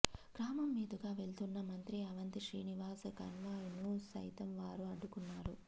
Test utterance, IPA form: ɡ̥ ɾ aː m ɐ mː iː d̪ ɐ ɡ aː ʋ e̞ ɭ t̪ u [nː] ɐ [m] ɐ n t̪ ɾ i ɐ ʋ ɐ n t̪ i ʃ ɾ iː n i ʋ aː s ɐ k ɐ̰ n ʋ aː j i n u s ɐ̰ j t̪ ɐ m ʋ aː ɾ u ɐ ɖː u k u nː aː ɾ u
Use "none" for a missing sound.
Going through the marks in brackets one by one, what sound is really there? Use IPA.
nː, m

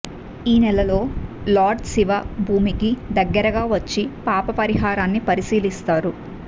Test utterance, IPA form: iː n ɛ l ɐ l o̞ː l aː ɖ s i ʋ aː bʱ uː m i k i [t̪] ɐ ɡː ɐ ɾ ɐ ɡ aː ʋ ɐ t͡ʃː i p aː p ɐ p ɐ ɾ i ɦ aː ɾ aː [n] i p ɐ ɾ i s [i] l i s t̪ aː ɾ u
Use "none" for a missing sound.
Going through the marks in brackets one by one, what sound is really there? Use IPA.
d̪, nː, iː

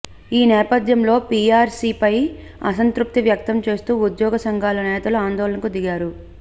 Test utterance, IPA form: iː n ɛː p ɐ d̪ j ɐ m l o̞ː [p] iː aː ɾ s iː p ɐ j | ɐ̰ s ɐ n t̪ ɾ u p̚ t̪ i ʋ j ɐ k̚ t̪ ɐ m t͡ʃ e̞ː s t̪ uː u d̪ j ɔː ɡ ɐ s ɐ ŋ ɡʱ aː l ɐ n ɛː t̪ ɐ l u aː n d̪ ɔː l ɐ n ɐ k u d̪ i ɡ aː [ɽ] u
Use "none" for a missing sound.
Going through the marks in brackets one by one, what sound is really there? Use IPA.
p, ɾ

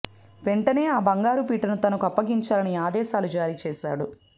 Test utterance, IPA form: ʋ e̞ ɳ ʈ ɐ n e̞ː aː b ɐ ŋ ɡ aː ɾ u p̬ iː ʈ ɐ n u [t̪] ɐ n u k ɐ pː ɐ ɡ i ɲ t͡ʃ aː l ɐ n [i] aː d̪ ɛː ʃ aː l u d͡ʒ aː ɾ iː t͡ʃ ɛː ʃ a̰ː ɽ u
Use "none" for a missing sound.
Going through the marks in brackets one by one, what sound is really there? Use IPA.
t̪, i

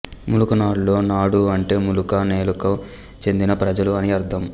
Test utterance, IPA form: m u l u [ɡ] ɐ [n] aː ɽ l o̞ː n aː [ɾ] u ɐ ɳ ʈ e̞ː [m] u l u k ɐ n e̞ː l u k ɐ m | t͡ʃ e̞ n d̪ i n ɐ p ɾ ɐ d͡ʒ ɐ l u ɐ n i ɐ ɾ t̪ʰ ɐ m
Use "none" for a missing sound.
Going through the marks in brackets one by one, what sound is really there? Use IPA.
k, n, ɽ, m

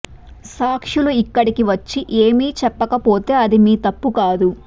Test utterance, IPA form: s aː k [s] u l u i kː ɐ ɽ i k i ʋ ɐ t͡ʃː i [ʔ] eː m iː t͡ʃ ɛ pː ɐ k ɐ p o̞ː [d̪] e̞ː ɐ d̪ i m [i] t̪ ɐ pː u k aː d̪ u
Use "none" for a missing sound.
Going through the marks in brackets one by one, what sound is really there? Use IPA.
ʂ, ʔ, t̪, iː

